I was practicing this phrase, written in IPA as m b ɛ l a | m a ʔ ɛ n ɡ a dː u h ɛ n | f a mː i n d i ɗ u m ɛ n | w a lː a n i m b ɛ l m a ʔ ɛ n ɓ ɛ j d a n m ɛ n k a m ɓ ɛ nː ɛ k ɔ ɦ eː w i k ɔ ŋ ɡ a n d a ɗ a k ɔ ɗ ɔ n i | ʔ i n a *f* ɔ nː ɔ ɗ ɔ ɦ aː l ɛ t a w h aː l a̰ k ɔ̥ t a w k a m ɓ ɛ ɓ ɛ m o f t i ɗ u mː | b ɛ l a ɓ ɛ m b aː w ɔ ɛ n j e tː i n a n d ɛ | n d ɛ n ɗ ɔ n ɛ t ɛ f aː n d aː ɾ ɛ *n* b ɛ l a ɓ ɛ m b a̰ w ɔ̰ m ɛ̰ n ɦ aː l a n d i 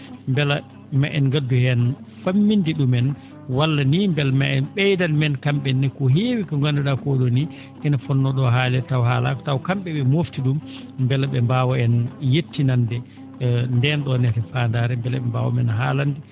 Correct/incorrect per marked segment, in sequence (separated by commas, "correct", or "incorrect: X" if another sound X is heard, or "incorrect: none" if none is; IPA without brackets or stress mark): correct, incorrect: m